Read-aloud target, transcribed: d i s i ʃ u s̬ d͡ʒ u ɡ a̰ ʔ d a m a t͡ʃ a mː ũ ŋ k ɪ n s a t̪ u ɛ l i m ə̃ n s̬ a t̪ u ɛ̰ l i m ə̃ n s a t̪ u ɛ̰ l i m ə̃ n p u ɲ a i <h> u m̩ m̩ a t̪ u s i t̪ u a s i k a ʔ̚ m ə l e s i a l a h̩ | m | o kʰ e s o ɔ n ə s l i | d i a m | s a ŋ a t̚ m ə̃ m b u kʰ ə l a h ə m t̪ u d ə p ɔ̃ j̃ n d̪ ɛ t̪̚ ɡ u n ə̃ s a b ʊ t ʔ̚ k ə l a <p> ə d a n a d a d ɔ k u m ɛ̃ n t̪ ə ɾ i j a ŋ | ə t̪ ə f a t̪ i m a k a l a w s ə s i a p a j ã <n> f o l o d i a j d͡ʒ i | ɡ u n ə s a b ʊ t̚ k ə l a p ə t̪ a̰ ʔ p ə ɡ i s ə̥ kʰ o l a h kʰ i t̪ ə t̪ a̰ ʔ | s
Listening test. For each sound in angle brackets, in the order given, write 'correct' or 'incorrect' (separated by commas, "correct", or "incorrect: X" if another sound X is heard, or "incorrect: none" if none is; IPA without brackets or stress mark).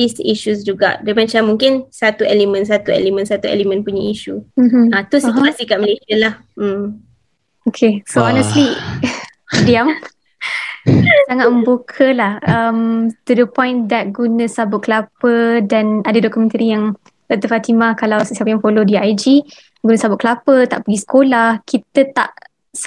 incorrect: ʃ, correct, incorrect: ŋ